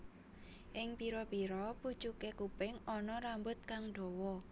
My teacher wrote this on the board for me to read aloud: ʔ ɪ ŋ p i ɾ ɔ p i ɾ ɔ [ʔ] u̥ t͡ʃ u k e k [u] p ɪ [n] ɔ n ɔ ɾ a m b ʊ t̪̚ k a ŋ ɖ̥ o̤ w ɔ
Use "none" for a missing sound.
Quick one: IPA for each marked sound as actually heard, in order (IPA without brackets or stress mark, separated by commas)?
p, u, ŋ